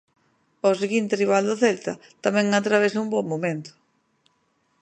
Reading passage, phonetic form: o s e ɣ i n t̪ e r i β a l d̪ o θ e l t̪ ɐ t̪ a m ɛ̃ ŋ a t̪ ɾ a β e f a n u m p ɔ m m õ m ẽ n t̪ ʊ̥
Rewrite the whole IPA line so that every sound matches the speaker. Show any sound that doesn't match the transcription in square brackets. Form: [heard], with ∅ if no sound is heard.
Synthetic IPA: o s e ɣ i n t̪ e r i β a l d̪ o θ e l t̪ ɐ t̪ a m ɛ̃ ŋ a t̪ ɾ a β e [s] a [∅] u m [b] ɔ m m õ m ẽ n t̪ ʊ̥